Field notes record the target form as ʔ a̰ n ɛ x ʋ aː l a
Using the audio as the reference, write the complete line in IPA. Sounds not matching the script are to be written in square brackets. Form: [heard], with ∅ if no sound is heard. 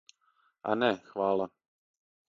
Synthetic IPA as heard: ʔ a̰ n ɛ x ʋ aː l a